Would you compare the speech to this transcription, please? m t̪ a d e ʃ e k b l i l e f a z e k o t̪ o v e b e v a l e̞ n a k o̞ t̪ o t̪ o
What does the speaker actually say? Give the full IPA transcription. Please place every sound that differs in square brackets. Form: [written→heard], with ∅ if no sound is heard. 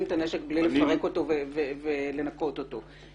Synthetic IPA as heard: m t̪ a [d→n] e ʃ e k b l i l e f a [z→ʁ] e k o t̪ o v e [b→v] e v [a→e] l e̞ n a k o̞ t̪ o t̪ o